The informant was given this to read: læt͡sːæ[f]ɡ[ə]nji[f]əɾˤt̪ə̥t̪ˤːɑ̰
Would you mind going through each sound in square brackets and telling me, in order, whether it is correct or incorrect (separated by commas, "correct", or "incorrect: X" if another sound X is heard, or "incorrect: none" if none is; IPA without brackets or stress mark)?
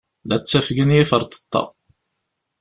correct, correct, correct